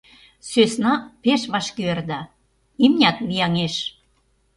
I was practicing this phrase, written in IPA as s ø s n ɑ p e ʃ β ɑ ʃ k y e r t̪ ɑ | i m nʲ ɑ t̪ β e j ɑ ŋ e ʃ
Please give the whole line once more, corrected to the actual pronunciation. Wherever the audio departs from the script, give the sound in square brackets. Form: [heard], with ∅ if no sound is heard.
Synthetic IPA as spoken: s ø s n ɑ p e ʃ β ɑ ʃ k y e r [d̪] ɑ | i m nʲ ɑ t̪ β [i] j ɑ ŋ e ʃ